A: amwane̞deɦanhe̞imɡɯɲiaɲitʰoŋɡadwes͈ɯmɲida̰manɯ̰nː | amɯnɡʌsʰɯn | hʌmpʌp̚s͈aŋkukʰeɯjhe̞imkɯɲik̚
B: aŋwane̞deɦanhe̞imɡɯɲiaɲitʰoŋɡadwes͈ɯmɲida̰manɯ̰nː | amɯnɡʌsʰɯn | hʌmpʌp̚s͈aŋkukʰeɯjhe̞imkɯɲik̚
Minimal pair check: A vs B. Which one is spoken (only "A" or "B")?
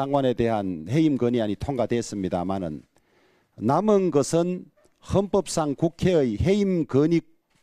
B